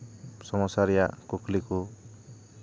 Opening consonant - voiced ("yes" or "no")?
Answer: no